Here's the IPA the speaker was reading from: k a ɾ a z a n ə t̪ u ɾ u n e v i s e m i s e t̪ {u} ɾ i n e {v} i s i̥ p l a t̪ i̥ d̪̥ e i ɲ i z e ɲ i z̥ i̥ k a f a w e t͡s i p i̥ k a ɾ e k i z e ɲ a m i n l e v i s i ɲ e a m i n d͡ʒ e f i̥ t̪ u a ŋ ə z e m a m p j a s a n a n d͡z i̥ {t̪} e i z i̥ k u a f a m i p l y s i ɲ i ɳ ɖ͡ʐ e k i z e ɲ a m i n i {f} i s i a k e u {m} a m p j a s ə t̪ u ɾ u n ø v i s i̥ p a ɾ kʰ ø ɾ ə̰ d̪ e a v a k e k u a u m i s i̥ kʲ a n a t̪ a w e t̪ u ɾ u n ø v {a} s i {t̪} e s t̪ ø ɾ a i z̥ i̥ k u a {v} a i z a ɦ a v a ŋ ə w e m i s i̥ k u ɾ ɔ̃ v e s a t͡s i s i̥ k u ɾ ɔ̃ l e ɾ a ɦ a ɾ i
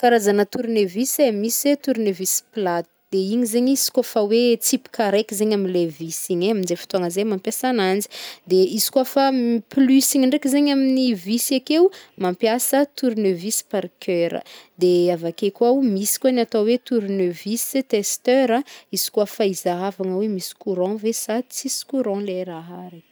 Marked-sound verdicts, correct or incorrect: correct, correct, incorrect: d̪, incorrect: v, correct, incorrect: i, correct, incorrect: f

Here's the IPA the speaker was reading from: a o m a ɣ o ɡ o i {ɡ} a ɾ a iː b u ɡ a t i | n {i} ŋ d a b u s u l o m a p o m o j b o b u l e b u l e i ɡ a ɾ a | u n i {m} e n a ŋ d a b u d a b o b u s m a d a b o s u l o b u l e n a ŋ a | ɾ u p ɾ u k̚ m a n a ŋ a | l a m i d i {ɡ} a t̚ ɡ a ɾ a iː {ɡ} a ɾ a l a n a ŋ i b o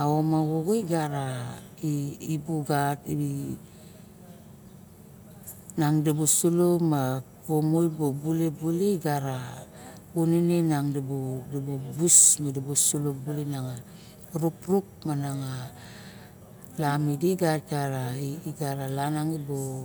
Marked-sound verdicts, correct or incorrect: correct, incorrect: a, incorrect: n, correct, correct

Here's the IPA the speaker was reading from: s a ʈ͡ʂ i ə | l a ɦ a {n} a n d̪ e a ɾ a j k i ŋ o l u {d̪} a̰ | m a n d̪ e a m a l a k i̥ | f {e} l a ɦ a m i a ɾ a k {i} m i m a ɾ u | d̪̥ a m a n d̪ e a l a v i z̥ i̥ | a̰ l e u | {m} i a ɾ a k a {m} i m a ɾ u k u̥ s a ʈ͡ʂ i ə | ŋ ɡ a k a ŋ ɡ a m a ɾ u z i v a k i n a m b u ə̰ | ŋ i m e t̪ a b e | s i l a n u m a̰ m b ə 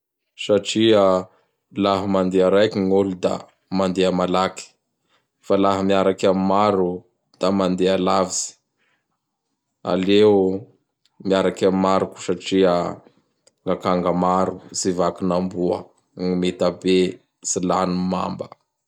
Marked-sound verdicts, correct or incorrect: incorrect: m, correct, incorrect: a, incorrect: a, correct, correct

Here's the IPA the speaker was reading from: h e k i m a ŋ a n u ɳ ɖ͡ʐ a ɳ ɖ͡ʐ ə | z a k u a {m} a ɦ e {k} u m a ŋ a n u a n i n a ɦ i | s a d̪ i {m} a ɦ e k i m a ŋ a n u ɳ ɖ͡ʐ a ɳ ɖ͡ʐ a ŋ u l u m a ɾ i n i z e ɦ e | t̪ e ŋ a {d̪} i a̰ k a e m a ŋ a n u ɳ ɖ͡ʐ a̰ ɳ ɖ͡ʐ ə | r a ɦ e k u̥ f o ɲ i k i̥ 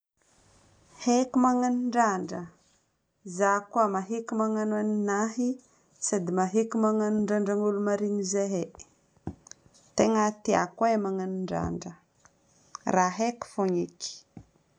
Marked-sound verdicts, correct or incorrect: correct, correct, correct, incorrect: t̪

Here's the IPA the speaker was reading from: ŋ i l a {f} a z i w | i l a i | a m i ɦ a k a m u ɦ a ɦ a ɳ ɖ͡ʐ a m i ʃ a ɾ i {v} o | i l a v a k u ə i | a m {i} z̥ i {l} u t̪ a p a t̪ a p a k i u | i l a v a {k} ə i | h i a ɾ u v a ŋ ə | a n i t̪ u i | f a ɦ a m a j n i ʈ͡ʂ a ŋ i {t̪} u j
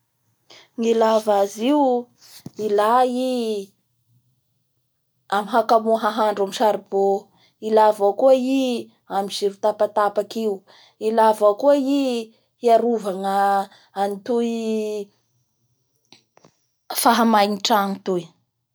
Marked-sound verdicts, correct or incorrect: incorrect: v, incorrect: b, correct, incorrect: ɾ, correct, correct

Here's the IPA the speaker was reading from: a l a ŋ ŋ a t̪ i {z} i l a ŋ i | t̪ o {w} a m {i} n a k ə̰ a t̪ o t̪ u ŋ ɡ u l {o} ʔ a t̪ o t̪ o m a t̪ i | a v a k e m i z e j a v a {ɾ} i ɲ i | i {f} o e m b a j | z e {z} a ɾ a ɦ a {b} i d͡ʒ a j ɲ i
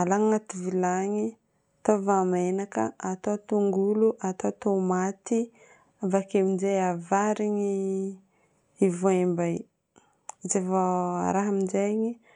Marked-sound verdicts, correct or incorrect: incorrect: v, incorrect: v, incorrect: e, incorrect: u, correct, incorrect: v, incorrect: v, incorrect: m

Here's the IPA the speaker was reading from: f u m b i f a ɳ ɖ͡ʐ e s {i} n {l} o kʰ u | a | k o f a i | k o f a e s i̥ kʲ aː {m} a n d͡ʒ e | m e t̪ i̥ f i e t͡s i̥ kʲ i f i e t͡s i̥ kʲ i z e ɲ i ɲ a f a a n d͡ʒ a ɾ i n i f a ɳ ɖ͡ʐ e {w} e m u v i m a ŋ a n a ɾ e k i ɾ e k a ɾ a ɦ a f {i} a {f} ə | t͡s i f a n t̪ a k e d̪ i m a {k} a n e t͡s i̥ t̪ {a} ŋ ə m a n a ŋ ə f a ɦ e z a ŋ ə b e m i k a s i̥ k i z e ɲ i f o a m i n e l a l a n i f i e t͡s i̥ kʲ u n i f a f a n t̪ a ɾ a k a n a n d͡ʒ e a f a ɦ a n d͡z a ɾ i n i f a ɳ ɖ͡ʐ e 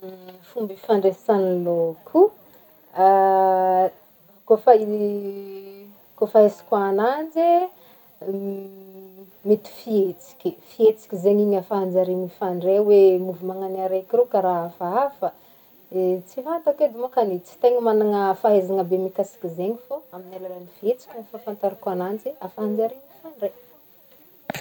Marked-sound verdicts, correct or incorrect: incorrect: a, correct, incorrect: n, correct, incorrect: a, correct, correct, incorrect: e

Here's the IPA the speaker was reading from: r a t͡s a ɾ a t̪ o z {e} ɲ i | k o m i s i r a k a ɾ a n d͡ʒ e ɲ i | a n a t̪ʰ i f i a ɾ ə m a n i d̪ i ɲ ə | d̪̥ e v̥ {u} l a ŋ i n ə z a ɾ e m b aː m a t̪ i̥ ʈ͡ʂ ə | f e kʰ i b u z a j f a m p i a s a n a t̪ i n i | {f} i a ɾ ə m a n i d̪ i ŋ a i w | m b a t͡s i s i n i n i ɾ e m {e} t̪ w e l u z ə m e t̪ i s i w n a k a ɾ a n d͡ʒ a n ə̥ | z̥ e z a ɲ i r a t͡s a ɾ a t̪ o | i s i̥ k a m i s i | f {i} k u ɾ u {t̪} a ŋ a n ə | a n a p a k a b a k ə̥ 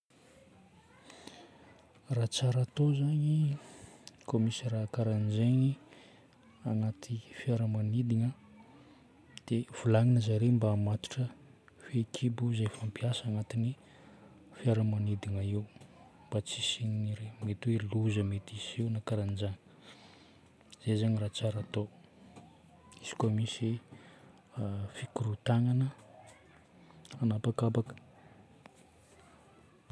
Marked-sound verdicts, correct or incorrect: incorrect: a, correct, correct, correct, correct, correct

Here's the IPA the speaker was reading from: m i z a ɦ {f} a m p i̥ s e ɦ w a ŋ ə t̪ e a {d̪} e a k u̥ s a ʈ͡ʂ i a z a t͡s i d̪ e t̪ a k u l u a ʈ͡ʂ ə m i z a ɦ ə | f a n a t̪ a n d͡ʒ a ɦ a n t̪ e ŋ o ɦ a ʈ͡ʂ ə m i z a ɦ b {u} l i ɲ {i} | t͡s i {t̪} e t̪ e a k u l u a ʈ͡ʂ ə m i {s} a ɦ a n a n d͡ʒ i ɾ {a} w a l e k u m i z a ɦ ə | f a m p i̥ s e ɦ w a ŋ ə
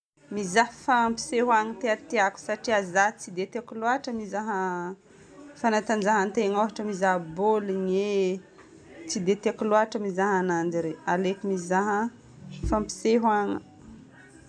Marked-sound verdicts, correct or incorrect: correct, incorrect: t̪, incorrect: o, incorrect: e, incorrect: d̪, incorrect: z, incorrect: e

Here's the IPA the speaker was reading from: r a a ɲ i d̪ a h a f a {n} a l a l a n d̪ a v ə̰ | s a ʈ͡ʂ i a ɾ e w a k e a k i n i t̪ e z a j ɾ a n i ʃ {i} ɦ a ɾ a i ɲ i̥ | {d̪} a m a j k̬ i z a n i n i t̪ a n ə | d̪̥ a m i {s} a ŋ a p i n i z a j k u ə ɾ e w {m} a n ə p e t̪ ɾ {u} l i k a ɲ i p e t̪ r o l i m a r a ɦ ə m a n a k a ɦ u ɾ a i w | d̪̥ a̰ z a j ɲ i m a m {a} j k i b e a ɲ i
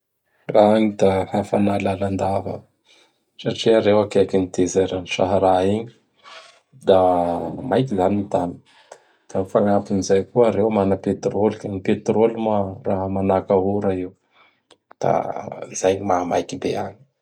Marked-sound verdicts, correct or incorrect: correct, incorrect: a, correct, incorrect: f, correct, incorrect: o, correct

